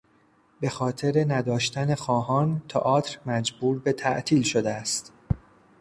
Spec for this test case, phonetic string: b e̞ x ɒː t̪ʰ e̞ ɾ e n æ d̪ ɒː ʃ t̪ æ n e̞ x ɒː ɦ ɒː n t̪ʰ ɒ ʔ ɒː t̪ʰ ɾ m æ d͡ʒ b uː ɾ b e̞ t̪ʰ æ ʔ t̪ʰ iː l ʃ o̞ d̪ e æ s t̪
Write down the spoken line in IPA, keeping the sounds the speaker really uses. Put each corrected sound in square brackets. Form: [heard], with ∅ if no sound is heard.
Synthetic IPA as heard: b e̞ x ɒː t̪ʰ e̞ ɾ e n æ d̪ ɒː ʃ t̪ æ n e̞ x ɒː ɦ ɒː n t̪ʰ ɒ ʔ ɒː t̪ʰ ɾ m æ d͡ʒ b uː ɾ b e̞ t̪ʰ æ ʔ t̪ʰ iː l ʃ o̞ d̪ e æ s t̪